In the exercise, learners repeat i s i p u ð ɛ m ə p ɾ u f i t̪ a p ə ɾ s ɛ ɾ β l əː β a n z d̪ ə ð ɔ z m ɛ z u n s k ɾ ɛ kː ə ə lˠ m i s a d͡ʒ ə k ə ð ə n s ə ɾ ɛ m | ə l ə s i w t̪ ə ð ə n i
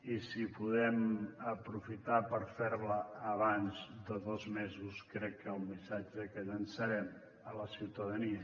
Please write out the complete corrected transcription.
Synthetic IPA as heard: i s i p u ð ɛ m ə p ɾ u f i t̪ a p ə ɾ f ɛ ɾ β l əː β a n z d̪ ə ð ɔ z m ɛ z u s k ɾ ɛ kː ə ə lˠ m i s a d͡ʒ ə k ə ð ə n s ə ɾ ɛ m | ə l ə s i w t̪ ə ð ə n i